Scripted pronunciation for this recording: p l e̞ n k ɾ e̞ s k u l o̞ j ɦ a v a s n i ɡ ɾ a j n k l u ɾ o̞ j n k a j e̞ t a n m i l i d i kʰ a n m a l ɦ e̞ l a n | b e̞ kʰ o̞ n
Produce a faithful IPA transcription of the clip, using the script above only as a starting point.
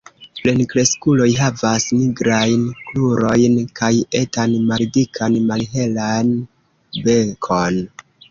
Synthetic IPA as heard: p l e̞ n k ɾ e̞ s k u l o̞ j ɦ a v a s n i ɡ ɾ a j n k l u ɾ o̞ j n k a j e̞ t a n m a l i d i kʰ a n m a l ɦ e̞ l a n | b e̞ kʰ o̞ n